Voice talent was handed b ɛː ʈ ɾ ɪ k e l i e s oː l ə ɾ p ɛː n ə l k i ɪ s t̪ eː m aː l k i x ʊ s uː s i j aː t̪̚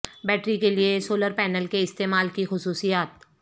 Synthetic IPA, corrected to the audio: b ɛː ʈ ɾ i k e l i e s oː l ə ɾ p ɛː n ə l k e ɪ s t̪ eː m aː l k i x ʊ s uː s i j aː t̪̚